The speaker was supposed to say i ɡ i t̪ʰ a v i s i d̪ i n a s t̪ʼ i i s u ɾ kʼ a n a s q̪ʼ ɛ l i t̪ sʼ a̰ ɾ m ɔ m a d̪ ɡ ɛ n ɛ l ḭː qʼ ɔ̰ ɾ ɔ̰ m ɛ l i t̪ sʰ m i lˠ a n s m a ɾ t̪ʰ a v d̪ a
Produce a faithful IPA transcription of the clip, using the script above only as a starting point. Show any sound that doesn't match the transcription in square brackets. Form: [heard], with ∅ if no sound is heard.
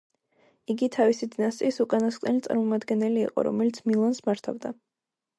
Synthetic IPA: i ɡ i t̪ʰ a v i s i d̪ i n a s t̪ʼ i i s u [∅] kʼ a n a s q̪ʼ ɛ l i t̪ sʼ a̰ ɾ m ɔ m a d̪ ɡ ɛ n ɛ l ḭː qʼ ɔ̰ ɾ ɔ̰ m ɛ l i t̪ sʰ m i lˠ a n s m a ɾ t̪ʰ a v d̪ a